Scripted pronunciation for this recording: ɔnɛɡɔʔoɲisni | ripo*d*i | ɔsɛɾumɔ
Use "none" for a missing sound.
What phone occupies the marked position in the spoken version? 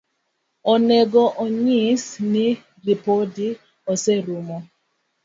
d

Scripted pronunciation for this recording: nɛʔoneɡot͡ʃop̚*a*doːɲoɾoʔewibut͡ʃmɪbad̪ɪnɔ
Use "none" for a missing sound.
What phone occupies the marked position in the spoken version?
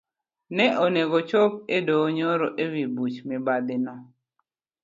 e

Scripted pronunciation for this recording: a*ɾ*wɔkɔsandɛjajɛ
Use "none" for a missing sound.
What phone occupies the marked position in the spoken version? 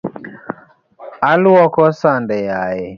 l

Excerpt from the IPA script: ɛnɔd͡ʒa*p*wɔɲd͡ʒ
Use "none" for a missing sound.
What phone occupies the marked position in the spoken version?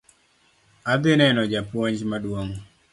p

